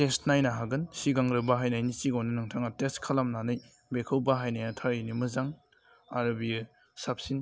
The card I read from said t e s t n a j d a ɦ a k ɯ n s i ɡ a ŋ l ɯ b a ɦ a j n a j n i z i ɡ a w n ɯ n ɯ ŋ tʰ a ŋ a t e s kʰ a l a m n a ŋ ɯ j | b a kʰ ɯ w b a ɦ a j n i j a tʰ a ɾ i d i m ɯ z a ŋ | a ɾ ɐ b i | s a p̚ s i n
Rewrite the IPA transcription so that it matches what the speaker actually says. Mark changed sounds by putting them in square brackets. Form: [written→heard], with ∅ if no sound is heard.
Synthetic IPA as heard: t e s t n a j [d→n] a ɦ a [k→ɡ] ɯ n s i ɡ a ŋ [l→ɾ] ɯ b a ɦ a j n a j n i [z→s] i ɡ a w n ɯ n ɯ ŋ tʰ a ŋ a t e s kʰ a l a m n a [ŋ→n] ɯ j | b [a→e] kʰ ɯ w b a ɦ a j n [i→a] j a tʰ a ɾ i [d→n] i m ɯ z a ŋ | a ɾ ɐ b i | s a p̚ s i n